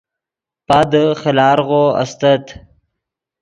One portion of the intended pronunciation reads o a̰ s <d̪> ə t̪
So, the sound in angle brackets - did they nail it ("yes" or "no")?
no